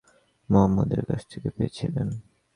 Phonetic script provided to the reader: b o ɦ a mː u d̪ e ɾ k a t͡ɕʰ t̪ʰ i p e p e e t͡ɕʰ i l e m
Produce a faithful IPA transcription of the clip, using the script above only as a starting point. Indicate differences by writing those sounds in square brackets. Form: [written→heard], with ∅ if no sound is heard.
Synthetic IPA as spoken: [b→m] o ɦ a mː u d̪ e ɾ k a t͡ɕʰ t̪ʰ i [p→k] e p e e t͡ɕʰ i l e [m→n]